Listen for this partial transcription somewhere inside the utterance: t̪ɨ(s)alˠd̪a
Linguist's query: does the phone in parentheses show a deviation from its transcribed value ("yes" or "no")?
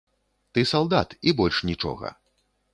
no